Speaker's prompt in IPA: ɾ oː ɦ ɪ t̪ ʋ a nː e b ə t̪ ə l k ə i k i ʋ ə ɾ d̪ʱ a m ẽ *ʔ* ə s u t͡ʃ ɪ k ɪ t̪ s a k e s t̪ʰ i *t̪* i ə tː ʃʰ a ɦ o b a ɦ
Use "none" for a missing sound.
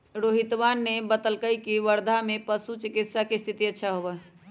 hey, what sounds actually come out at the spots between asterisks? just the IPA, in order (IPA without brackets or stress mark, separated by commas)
p, t̪